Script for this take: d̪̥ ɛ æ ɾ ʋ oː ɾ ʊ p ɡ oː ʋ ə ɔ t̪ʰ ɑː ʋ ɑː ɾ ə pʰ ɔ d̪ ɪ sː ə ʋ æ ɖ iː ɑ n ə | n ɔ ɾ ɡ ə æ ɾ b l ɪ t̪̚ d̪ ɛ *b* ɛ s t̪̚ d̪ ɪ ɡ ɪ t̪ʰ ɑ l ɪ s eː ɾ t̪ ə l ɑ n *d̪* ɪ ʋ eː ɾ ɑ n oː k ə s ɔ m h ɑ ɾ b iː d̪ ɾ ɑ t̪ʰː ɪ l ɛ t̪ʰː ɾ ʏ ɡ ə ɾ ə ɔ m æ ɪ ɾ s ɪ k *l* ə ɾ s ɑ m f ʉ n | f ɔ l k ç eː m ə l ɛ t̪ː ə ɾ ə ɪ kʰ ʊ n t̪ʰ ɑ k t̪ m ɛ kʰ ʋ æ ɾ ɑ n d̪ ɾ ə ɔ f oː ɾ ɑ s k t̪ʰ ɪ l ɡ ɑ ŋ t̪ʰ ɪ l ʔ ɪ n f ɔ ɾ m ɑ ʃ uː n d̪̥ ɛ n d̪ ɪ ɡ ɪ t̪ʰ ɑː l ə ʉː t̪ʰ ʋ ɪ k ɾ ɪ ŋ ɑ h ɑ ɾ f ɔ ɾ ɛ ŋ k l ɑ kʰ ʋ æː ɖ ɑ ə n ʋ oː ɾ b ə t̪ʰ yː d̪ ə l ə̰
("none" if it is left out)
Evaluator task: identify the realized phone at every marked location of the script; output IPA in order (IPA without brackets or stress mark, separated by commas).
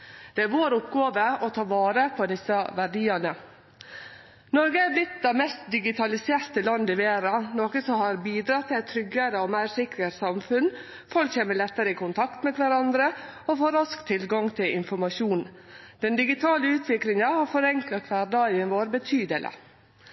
m, d̪, ɾ